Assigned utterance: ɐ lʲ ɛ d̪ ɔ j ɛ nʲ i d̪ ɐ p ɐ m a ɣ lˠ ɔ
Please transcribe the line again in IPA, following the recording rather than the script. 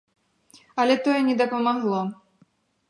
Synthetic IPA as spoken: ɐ lʲ ɛ t̪ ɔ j ɛ nʲ ɛ d̪ ɐ p ɐ m a ɣ lˠ ɔ